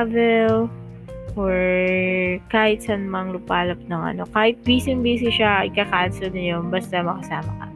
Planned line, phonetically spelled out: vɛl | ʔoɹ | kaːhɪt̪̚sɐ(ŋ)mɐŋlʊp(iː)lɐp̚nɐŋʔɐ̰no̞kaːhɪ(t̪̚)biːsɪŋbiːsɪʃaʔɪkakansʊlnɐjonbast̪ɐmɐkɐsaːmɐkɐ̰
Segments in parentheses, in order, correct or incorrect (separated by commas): incorrect, incorrect, correct